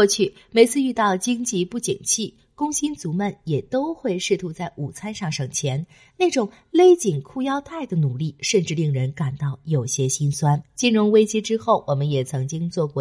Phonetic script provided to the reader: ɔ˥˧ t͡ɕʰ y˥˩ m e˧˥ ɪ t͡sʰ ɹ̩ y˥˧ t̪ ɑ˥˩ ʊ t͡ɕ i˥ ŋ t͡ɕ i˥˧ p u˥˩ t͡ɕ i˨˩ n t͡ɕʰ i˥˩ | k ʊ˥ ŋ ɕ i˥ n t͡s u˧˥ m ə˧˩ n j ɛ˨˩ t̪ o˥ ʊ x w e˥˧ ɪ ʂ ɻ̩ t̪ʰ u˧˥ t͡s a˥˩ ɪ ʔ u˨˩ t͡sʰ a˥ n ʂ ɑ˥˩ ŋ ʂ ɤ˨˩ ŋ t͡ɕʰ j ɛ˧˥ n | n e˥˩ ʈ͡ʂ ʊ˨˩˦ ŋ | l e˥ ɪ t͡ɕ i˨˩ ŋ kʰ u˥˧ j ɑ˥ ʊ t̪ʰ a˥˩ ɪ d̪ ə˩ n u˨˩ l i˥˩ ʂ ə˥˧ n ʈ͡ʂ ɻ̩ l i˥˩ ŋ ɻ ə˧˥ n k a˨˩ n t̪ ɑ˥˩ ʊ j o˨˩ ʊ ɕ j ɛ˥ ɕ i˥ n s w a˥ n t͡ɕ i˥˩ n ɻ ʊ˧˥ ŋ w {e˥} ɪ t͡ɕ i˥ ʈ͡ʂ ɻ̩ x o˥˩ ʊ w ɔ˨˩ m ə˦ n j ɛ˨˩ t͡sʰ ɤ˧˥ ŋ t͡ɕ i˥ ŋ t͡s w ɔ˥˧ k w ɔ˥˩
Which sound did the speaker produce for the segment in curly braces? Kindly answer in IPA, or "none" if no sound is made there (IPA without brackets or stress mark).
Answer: e˥